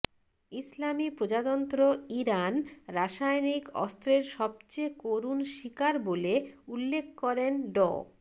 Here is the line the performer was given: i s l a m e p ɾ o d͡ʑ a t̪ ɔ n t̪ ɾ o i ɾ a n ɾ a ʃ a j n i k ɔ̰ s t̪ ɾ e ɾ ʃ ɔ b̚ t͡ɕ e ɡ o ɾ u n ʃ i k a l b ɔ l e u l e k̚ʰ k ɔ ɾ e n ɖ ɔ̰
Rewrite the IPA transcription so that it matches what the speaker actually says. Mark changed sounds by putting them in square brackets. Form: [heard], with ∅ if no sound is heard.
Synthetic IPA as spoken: i s l a m [i] p ɾ o d͡ʑ a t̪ ɔ n t̪ ɾ o i ɾ a n ɾ a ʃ a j n i k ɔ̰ s t̪ ɾ e ɾ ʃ ɔ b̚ t͡ɕ e [k] o ɾ u n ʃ i k a [ɾ] b [o] l e u [lː] e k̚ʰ k ɔ ɾ e n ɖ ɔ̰